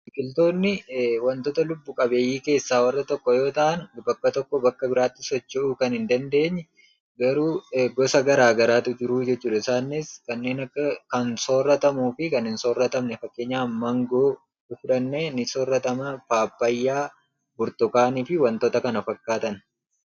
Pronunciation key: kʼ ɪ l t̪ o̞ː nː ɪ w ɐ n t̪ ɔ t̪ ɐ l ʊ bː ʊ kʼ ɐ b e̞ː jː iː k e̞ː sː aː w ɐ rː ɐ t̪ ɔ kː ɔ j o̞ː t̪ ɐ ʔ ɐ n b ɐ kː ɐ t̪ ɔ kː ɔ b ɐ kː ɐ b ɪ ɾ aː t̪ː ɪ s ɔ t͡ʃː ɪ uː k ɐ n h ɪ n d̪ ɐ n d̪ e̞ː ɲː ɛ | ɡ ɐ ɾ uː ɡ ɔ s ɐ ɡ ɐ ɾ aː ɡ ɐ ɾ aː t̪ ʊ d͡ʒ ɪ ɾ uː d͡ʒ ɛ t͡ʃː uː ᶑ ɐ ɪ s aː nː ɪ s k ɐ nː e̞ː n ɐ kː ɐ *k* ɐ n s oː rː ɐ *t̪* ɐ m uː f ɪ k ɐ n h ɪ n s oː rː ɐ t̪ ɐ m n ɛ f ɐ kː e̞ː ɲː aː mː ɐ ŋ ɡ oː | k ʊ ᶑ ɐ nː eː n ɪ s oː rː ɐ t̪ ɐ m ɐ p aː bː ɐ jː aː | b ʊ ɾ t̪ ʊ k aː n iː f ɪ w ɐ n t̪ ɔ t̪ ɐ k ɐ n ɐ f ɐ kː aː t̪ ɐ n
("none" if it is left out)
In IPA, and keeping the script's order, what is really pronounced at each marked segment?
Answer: k, t̪

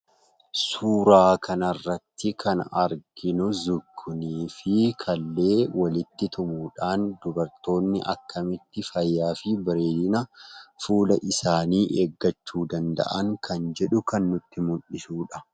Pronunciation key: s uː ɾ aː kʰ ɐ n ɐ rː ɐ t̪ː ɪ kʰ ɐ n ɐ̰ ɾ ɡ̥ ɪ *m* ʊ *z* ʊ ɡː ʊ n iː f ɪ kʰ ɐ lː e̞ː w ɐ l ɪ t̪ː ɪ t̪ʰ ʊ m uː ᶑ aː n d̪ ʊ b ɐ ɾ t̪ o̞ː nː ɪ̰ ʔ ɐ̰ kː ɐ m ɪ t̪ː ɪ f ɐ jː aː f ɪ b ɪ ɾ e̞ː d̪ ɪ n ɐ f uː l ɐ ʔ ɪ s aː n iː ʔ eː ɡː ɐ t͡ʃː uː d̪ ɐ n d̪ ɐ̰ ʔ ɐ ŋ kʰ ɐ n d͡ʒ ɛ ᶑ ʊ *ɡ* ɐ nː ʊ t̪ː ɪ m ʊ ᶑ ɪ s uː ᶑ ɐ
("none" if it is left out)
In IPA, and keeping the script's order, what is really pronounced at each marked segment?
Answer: n, z, k

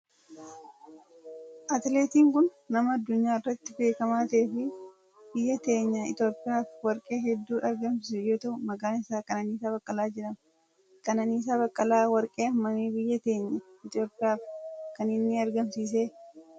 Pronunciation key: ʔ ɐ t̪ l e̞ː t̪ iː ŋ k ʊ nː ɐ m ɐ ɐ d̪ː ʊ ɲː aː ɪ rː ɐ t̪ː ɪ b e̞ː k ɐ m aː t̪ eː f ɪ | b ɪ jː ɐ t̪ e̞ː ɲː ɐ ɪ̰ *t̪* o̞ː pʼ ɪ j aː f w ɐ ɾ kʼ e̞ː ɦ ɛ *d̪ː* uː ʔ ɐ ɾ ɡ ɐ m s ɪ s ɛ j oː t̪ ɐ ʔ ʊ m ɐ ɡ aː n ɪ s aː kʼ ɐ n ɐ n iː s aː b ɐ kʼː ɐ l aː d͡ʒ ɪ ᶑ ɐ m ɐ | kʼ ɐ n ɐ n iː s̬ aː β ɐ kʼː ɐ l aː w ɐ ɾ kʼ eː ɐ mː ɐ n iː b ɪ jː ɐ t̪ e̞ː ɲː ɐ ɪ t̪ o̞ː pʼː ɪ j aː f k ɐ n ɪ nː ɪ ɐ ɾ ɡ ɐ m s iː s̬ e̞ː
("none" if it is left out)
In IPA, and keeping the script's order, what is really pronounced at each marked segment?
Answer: t̪, d̪ː

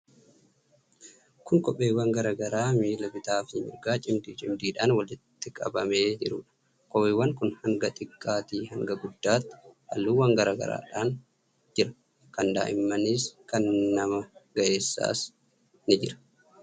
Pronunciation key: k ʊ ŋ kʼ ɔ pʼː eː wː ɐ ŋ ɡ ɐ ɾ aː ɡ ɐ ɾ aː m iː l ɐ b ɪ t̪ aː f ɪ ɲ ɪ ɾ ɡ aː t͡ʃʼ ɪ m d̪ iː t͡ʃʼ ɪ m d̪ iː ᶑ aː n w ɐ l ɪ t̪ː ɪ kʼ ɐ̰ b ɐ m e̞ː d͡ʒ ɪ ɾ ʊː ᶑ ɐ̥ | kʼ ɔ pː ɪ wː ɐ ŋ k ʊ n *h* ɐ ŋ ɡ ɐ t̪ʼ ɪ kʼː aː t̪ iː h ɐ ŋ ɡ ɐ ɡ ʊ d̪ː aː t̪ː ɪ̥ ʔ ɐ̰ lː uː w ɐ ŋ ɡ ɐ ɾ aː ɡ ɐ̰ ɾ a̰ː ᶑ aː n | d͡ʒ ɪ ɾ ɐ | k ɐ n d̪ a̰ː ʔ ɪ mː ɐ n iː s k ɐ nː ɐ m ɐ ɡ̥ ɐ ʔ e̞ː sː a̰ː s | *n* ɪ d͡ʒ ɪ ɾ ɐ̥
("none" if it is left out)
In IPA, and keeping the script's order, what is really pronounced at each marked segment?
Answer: h, n

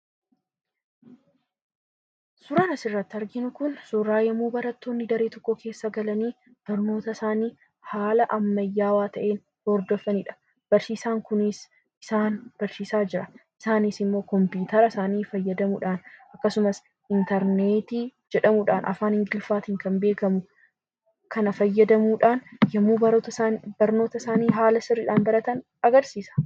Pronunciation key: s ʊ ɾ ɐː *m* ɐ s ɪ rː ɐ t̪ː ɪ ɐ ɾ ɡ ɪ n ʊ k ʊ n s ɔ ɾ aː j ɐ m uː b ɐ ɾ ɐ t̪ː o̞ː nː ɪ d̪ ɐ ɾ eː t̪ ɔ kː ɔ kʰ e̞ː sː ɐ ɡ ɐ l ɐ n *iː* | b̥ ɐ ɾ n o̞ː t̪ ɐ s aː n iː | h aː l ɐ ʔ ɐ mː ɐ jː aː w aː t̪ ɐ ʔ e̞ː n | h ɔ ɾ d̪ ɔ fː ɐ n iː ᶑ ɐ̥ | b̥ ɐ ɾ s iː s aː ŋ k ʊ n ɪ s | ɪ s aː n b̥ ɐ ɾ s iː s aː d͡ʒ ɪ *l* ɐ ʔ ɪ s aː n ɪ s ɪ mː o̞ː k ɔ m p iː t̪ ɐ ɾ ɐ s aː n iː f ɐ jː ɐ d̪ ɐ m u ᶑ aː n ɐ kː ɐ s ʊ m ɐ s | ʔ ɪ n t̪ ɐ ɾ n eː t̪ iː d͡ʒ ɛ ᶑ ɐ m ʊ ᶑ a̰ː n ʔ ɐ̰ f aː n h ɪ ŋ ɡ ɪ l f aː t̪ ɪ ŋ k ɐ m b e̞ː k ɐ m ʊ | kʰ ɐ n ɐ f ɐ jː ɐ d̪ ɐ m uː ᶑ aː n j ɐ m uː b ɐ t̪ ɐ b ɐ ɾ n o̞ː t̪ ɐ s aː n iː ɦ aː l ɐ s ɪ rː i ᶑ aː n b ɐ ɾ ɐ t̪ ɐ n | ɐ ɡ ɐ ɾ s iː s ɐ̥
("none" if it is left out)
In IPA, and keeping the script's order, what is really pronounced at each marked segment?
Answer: n, iː, ɾ

